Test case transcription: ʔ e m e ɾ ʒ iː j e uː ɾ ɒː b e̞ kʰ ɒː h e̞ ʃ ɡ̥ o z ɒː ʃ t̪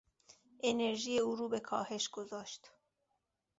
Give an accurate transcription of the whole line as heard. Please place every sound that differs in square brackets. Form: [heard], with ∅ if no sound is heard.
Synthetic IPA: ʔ e [n] e ɾ ʒ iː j e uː ɾ [uː] b e̞ kʰ ɒː h e̞ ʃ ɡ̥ o z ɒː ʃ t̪